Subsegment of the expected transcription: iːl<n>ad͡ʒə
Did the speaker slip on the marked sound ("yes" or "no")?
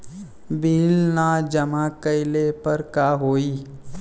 no